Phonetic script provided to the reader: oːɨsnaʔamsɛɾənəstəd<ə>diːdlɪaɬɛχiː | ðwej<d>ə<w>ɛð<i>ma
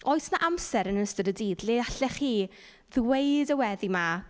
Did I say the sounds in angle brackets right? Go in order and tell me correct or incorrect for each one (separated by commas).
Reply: correct, correct, correct, correct